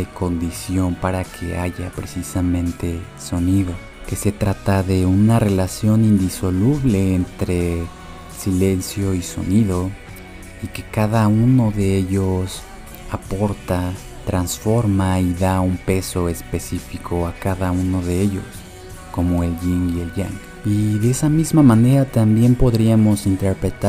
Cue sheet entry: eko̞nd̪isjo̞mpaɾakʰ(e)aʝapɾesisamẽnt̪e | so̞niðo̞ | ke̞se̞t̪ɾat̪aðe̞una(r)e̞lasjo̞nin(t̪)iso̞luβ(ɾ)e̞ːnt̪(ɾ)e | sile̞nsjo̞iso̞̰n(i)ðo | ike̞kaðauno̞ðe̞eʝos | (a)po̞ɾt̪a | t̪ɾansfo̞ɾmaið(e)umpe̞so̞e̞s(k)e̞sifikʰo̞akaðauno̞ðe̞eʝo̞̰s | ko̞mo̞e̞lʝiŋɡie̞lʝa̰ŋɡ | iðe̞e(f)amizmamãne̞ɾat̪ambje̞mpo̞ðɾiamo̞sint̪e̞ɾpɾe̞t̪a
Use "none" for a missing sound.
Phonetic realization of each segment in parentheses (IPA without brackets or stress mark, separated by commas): e, r, d̪, l, ɾ, i, a, a, p, s